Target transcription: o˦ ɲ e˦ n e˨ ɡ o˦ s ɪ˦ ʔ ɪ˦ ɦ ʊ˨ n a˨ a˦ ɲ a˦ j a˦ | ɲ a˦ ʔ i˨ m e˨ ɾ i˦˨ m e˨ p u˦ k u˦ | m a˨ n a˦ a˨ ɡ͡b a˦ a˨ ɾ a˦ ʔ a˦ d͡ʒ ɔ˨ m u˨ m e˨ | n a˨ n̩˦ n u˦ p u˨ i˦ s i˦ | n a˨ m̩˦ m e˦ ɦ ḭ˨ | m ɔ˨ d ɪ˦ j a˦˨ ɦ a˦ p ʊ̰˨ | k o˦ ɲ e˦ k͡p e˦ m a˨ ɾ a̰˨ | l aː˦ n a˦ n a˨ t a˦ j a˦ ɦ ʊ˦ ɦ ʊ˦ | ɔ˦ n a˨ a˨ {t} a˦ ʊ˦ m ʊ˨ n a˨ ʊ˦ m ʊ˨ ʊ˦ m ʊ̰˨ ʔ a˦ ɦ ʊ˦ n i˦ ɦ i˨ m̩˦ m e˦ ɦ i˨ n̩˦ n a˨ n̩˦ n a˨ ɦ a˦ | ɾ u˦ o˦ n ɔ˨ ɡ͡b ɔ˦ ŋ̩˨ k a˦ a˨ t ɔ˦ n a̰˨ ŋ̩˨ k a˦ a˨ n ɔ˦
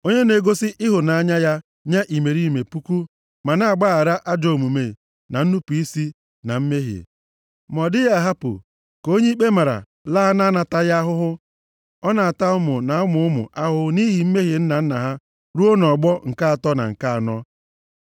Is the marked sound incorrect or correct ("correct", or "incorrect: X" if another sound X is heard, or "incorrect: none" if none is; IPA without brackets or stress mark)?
correct